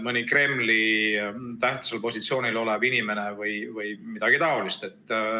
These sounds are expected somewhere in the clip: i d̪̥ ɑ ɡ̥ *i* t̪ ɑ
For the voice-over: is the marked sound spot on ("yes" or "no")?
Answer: yes